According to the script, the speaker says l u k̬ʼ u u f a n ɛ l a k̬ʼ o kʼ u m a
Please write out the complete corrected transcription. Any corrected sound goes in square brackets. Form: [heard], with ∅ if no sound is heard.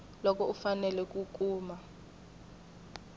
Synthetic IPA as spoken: l [ɔ] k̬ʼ [ɔ] u f a n ɛ l [ɛ] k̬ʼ [u] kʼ [uː] m a

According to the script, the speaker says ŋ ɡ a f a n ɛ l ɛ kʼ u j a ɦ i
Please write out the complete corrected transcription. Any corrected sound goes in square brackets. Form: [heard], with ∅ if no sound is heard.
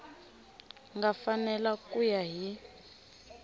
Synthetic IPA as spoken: ŋ ɡ a f a n ɛ l [a] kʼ u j a ɦ i

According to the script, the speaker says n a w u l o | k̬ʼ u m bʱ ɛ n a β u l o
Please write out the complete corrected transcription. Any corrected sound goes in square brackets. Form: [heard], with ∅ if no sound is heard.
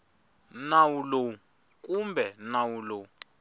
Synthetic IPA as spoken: n a w u l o | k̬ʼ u m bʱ ɛ n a [w] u l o

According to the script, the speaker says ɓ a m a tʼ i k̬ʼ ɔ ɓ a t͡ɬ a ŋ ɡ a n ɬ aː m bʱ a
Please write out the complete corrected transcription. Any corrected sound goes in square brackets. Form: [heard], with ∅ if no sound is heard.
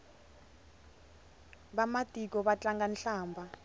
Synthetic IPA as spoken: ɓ a m a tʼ i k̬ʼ ɔ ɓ a t͡ɬ a ŋ ɡ a n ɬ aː m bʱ a

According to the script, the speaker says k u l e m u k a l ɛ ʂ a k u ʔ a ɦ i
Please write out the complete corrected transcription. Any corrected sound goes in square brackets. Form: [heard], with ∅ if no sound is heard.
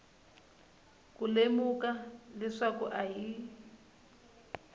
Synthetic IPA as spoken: k u l e m u k a l ɛ ʂ a k u ʔ a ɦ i

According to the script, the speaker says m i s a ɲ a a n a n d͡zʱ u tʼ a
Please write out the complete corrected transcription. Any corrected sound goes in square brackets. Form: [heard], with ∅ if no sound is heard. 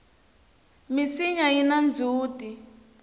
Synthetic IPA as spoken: m i s [i] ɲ a [i] n a n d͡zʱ [uː] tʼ [i]

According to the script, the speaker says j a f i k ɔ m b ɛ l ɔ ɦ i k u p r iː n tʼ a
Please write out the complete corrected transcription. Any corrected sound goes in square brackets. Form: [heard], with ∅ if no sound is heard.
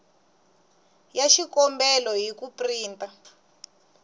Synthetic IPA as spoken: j a [ʃ] i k ɔ m b ɛ l ɔ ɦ i k u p r iː n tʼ a

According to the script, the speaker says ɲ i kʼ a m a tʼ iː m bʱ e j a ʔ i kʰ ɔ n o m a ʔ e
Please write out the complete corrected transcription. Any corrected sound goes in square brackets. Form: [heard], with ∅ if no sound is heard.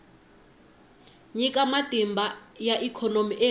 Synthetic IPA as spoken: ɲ i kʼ a m a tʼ [i] m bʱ [a] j a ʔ i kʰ ɔ n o m [i] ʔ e

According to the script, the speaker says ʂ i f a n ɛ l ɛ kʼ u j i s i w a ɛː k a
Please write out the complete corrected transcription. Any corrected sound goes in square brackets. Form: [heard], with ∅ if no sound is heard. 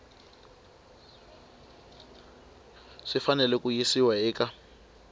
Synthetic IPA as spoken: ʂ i f a n ɛ l ɛ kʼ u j i s i w a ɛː k a

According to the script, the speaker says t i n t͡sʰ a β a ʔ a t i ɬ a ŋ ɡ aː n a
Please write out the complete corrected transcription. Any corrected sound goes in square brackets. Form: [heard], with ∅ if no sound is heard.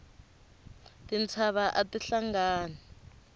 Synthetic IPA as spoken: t i n t͡sʰ a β a ʔ a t i ɬ a ŋ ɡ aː n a

